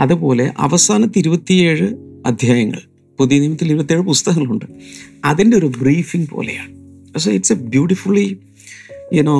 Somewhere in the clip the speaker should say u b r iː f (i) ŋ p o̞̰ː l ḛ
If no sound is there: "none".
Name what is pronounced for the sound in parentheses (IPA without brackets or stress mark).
i